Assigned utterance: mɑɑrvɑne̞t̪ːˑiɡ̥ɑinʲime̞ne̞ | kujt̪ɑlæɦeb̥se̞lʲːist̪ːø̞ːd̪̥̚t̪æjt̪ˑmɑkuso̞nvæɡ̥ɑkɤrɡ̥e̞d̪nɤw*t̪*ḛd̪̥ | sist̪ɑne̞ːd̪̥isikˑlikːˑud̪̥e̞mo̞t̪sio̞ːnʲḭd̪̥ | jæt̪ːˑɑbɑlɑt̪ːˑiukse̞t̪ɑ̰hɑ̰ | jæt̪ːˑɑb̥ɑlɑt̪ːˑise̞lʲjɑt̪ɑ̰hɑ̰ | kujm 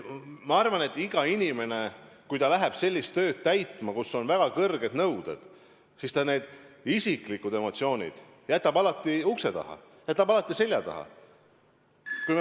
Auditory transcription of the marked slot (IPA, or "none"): d̪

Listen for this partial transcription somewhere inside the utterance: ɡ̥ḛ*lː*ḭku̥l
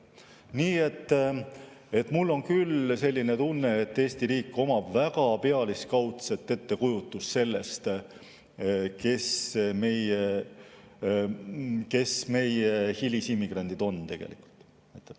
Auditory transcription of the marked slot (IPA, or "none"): l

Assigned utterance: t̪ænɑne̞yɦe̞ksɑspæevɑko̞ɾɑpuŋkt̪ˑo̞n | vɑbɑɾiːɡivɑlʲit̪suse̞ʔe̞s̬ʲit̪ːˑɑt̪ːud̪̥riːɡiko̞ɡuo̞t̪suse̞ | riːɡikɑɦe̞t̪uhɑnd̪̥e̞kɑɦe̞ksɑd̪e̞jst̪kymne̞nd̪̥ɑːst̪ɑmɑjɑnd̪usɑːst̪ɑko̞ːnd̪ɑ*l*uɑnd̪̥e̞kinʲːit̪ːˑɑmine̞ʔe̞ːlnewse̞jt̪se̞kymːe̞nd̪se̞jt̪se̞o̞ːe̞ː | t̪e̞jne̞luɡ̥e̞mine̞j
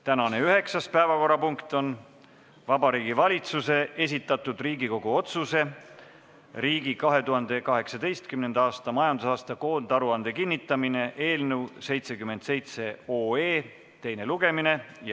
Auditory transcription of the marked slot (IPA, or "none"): ɾ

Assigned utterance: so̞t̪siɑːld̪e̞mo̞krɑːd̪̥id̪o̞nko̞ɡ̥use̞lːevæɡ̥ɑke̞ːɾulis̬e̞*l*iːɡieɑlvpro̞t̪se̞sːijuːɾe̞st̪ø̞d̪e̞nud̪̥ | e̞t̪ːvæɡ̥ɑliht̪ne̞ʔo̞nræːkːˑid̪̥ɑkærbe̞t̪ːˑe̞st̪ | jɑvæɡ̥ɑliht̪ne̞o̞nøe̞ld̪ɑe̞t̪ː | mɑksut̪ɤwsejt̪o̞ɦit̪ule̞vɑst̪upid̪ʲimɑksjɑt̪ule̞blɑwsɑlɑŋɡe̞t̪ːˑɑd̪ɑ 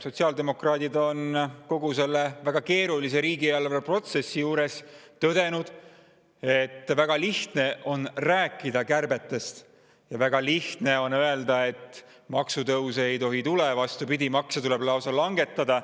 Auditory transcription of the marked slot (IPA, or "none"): ɾ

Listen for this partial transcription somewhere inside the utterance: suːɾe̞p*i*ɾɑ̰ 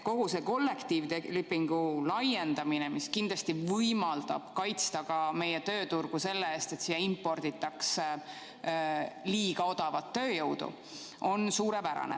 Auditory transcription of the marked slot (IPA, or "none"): æ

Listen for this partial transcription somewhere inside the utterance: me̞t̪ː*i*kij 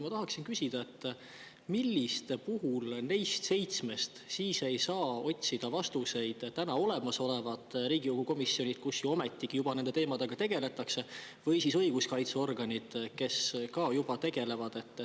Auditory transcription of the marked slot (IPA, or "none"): i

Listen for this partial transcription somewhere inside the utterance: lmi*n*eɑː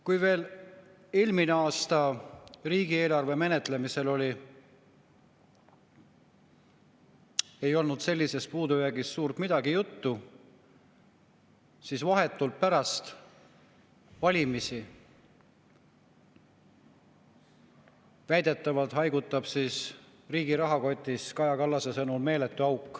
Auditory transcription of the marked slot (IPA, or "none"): n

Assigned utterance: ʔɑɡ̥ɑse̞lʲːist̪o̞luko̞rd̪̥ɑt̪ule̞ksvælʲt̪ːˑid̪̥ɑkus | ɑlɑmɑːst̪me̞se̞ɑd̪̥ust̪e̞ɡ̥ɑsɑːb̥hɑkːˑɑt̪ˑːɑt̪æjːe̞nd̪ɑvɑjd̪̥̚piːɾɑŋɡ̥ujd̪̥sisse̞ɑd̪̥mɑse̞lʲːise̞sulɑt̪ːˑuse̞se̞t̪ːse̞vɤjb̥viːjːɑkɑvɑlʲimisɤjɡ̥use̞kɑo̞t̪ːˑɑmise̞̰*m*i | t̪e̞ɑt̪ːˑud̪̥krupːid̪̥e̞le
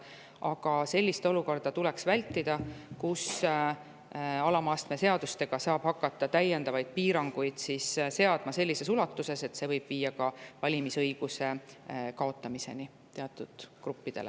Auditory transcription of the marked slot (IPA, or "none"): n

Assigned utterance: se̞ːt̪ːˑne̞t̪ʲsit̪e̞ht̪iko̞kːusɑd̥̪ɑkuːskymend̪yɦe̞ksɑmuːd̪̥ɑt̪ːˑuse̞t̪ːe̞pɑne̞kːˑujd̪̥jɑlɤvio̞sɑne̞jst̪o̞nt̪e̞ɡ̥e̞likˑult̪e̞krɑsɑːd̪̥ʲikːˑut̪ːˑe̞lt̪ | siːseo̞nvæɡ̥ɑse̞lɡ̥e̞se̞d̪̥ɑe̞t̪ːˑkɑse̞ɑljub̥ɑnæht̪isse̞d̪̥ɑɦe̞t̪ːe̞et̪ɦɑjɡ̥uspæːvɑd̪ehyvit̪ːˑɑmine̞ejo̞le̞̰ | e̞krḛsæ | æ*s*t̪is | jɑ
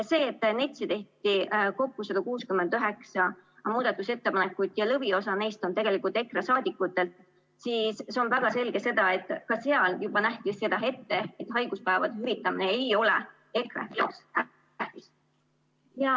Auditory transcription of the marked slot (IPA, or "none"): h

